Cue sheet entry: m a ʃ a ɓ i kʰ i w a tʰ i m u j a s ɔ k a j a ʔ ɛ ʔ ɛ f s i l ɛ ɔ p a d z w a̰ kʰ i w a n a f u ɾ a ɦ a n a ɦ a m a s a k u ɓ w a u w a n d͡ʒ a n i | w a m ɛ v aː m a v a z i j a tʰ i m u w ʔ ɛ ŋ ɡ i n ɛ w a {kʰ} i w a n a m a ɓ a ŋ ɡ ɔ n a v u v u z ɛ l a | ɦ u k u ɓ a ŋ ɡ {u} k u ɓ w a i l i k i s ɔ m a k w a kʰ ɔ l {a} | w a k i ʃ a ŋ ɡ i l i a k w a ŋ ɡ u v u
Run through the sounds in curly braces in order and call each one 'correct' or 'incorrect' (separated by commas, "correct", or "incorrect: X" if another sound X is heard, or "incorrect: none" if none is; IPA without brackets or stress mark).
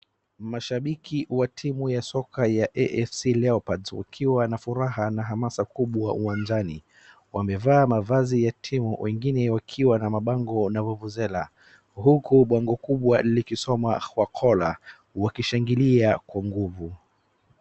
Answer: correct, incorrect: ɔ, correct